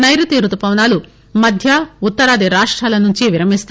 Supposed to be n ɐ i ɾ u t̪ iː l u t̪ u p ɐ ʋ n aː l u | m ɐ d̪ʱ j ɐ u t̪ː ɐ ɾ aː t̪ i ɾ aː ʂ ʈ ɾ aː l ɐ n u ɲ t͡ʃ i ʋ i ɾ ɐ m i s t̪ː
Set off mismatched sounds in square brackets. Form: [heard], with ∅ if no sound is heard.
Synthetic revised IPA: n ɐ [j] ɾ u t̪ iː [ɾ] u t̪ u p ɐ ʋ n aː l u | m ɐ d̪ʱ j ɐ u t̪ː ɐ ɾ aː [d̪] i ɾ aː ʂ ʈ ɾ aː l ɐ n u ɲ t͡ʃ i ʋ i ɾ ɐ m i s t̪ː